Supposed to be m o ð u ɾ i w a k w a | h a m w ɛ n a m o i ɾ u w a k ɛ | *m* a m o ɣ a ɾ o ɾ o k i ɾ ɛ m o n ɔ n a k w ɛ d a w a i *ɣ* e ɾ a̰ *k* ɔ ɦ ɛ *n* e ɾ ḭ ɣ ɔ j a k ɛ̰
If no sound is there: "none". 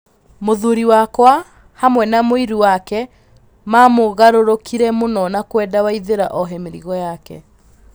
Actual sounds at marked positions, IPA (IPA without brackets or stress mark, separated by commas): m, ð, ʔ, m